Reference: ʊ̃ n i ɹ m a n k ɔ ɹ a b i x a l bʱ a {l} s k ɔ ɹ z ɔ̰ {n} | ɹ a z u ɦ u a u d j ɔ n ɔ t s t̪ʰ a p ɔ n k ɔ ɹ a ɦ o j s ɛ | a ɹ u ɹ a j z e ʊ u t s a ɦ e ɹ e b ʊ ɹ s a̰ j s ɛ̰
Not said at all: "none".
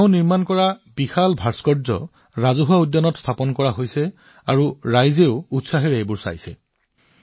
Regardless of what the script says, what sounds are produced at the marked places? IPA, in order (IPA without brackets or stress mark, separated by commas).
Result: ɹ, none